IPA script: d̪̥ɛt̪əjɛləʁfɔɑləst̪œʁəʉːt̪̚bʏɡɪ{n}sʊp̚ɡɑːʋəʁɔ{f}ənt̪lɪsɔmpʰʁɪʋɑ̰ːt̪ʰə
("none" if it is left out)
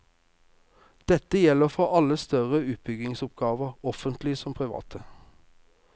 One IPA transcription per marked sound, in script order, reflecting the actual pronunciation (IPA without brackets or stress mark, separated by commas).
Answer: ŋ, f